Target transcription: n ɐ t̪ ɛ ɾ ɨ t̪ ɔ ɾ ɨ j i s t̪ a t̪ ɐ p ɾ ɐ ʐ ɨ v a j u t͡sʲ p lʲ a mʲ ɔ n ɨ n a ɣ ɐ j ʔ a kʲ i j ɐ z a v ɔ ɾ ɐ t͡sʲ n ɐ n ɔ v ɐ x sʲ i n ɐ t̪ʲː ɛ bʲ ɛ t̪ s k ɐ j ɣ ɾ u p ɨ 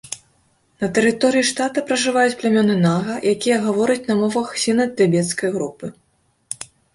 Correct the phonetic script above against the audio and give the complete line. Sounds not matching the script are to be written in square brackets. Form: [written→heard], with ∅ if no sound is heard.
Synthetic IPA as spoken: n ɐ t̪ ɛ ɾ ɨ t̪ ɔ ɾ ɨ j i [s→ʂ] t̪ a t̪ ɐ p ɾ ɐ ʐ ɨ v a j u t͡sʲ p lʲ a mʲ ɔ n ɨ n a ɣ ɐ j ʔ a kʲ i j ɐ [z→ɣ] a v ɔ ɾ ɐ t͡sʲ n ɐ [n→m] ɔ v ɐ x sʲ i n ɐ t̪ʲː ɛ bʲ ɛ t̪ s k ɐ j ɣ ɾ u p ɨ